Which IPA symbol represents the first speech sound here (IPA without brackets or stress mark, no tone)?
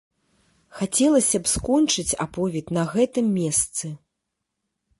x